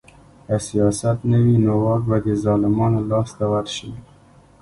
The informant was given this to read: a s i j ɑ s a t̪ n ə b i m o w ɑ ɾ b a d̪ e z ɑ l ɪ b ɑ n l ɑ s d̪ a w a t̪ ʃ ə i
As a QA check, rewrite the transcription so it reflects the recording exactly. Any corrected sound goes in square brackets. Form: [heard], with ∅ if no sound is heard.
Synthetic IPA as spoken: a s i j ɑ s a t̪ n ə [w] i [n] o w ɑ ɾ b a d̪ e z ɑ l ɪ [m] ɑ n l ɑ s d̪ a w a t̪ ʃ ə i